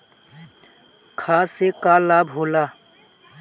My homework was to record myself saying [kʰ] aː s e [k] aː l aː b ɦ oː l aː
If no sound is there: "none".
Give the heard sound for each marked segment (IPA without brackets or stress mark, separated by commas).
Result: kʰ, k